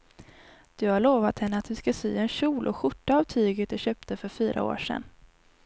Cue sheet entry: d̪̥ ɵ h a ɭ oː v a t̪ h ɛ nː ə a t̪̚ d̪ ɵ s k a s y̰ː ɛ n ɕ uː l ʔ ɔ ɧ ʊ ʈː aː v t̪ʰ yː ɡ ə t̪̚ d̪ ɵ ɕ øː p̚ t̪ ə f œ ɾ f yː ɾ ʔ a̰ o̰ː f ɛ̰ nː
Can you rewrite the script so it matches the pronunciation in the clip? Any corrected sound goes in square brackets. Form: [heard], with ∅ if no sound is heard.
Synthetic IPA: d̪̥ ɵ h a ɭ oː v a t̪ h ɛ nː ə a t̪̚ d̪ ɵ s k a s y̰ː ɛ n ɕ uː l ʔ ɔ ɧ ʊ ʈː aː v t̪ʰ yː ɡ ə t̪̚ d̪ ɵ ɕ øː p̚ t̪ ə f œ ɾ f yː ɾ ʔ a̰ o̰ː [ʂ] ɛ̰ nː